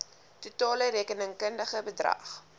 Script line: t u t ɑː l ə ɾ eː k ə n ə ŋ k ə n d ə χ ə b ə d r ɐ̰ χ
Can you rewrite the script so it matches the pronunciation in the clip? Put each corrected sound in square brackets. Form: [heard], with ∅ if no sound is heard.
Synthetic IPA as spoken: t u t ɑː l ə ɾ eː k ə n ə ŋ k ə n d ə χ ə b ə d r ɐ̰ χ